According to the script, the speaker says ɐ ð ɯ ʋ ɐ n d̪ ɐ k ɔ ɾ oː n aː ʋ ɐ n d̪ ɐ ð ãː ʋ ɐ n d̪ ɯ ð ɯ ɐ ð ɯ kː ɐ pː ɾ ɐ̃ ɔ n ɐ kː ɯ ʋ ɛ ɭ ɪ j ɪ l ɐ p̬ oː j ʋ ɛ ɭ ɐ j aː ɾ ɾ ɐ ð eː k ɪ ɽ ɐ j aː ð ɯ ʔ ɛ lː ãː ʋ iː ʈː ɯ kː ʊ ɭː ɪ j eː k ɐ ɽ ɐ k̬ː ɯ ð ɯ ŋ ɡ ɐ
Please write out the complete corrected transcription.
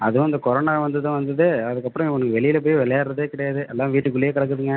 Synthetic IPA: ɐ ð ɯ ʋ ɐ n d̪ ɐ k ɔ ɾ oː n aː ʋ ɐ n d̪ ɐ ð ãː ʋ ɐ n d̪ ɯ ð ɯ ɐ ð ɯ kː ɐ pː ɾ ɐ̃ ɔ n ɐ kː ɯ ʋ ɛ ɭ ɪ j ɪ l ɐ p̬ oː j ʋ ɛ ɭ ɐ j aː ɾ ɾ ɐ ð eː k ɪ ɽ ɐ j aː ð ɯ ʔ ɛ lː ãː ʋ iː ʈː ɯ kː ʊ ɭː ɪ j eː k ɐ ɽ ɐ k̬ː ɯ ð ɯ ŋ ɡ ɐ